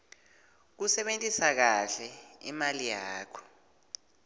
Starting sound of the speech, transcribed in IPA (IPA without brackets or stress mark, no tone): k̬